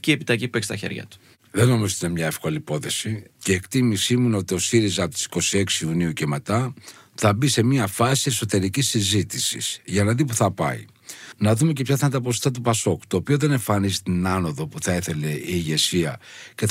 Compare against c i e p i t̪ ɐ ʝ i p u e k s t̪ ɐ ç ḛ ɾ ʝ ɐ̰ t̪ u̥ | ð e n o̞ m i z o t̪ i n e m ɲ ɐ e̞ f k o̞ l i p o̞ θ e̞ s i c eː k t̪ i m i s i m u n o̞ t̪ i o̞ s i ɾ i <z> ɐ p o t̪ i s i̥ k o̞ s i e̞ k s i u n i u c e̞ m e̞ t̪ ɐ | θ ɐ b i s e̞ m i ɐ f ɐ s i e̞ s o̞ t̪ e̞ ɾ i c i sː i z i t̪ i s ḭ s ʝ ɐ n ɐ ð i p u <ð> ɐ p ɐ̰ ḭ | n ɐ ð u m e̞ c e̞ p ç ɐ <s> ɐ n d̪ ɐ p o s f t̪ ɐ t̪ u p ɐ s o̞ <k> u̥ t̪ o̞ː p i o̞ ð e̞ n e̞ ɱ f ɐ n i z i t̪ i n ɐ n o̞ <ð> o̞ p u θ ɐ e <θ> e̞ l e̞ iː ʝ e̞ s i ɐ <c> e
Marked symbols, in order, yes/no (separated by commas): yes, no, no, yes, yes, yes, yes